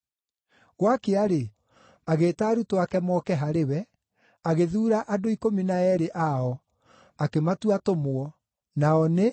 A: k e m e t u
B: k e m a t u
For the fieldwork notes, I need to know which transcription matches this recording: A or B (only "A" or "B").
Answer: B